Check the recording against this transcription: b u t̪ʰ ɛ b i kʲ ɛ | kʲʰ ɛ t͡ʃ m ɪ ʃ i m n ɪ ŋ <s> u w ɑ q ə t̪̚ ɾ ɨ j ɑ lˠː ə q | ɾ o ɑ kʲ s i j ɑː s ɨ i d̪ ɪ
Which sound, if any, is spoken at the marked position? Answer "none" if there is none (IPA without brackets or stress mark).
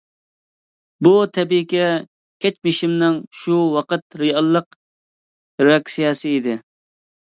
ʃ